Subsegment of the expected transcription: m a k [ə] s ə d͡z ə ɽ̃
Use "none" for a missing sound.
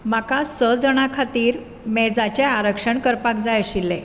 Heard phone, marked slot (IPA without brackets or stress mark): a